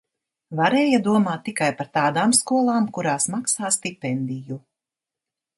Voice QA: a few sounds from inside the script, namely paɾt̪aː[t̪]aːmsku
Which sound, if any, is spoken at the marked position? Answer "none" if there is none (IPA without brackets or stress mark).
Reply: d̪